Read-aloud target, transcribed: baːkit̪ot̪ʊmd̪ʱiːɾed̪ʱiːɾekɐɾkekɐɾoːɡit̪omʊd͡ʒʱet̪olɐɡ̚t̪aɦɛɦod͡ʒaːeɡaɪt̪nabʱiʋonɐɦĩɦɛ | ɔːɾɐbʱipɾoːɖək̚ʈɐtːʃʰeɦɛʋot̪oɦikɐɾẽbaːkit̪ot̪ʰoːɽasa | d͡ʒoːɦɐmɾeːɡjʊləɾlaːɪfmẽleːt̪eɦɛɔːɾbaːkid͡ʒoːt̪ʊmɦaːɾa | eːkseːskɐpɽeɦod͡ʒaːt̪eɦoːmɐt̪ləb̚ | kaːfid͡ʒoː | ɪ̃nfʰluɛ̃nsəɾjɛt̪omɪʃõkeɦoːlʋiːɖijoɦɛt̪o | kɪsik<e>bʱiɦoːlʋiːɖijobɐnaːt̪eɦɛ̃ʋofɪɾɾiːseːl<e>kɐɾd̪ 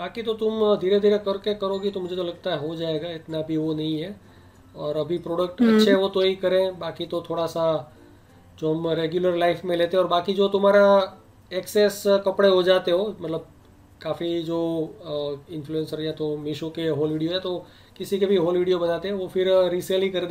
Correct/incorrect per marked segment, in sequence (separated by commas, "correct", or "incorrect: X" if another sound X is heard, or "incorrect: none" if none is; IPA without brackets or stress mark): correct, incorrect: i